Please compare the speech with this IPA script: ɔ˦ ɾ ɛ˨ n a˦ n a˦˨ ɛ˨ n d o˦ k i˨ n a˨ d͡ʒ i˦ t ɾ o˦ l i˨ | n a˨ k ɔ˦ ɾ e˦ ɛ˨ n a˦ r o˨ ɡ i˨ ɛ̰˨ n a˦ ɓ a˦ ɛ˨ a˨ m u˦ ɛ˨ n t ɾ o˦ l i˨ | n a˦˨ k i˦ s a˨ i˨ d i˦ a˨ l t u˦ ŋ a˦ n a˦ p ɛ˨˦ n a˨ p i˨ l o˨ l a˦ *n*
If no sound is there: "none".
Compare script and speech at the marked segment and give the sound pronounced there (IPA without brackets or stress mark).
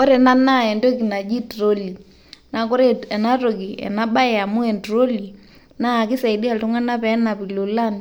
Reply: n